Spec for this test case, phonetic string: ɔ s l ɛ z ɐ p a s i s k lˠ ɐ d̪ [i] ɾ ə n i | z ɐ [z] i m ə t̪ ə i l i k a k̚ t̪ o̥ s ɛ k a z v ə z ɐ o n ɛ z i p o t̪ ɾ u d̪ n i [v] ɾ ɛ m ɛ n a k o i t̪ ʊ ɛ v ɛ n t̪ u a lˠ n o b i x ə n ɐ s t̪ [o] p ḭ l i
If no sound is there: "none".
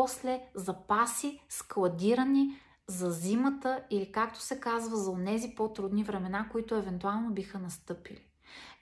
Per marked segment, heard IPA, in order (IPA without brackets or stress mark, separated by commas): i, z, v, ɤ